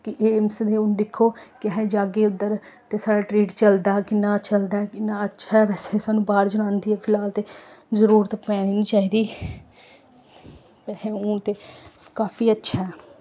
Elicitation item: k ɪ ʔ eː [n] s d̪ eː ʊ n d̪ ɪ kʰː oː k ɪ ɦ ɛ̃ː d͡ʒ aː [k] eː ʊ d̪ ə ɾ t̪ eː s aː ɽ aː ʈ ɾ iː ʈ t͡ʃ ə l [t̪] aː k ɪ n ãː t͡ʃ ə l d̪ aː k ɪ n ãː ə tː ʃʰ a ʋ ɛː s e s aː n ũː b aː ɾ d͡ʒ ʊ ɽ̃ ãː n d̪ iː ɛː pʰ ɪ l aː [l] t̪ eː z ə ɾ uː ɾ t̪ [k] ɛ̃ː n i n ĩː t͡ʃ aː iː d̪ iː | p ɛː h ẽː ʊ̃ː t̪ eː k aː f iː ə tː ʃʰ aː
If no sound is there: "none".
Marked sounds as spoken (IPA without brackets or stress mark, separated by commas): m, ɡ, d̪, l, p